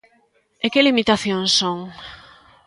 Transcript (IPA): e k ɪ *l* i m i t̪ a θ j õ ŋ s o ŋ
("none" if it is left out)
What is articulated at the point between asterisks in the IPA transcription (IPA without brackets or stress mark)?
l